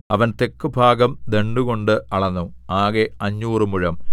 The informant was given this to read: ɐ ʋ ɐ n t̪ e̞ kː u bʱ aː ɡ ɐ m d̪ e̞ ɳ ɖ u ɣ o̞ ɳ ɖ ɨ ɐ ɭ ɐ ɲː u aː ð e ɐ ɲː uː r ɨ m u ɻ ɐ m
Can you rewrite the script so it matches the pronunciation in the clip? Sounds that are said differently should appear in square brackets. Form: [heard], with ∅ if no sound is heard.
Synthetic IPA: ɐ ʋ ɐ n t̪ e̞ kː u bʱ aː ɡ ɐ m d̪ e̞ ɳ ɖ u ɣ o̞ ɳ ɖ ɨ ɐ ɭ ɐ [nː] u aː [ɣ] e ɐ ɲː uː r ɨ m u ɻ ɐ m